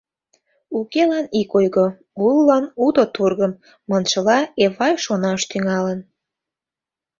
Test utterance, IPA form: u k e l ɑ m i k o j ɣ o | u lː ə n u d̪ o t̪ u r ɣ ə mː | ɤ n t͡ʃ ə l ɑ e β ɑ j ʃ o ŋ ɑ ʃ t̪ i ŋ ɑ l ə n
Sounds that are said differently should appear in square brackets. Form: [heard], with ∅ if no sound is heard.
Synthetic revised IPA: u k e l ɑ [n] i k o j ɣ o | u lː [ɑ] n u d̪ o t̪ u r ɣ ə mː | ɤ n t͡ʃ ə l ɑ e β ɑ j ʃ o [n] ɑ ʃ t̪ [y] ŋ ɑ l ə n